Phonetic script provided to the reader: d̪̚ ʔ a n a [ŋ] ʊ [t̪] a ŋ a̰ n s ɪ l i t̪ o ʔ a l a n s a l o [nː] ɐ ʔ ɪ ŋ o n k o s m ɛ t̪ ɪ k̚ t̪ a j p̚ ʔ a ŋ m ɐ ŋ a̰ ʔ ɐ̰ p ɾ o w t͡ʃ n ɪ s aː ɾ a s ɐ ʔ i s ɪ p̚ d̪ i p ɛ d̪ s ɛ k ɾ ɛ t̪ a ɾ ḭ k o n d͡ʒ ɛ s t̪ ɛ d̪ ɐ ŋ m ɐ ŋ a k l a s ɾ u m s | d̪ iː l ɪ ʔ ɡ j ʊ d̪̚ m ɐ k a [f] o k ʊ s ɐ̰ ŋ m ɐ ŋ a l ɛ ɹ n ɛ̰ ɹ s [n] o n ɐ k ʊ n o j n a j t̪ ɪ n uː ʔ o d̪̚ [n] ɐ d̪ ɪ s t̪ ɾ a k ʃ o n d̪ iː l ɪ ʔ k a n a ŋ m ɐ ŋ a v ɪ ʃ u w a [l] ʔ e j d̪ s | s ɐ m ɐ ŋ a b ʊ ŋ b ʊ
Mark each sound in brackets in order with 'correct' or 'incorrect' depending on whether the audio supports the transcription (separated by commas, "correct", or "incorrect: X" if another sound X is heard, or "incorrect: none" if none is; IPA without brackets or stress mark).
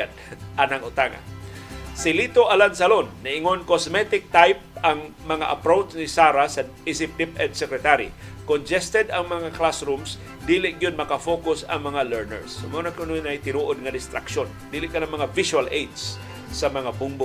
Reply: correct, correct, correct, correct, incorrect: m, incorrect: ŋ, correct